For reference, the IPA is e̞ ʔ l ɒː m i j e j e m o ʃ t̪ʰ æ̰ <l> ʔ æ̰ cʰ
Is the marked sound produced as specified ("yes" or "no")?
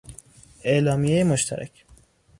no